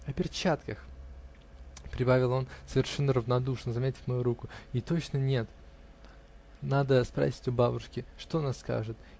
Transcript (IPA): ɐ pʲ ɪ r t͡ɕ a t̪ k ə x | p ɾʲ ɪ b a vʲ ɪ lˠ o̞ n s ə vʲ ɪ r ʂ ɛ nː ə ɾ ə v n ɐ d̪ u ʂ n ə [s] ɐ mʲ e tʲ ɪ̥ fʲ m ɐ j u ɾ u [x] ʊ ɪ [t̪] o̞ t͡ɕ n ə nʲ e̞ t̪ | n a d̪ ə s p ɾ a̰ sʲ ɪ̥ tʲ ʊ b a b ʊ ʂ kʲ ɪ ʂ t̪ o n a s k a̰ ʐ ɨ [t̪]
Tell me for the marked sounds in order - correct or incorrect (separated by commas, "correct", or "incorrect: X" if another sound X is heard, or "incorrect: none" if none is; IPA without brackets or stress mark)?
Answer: incorrect: z, incorrect: k, correct, correct